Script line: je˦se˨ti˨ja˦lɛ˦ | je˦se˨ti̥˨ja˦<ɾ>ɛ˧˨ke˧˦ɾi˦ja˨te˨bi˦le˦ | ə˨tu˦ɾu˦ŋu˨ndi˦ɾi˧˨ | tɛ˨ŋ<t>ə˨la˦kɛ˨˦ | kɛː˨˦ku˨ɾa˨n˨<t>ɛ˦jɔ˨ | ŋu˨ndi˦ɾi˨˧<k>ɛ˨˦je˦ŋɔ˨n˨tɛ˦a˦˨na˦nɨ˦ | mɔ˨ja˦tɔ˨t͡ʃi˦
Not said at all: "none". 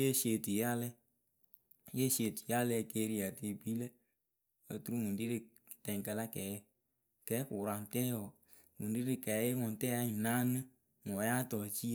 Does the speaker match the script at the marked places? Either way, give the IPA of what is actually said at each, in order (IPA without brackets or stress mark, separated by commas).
l, k, t, k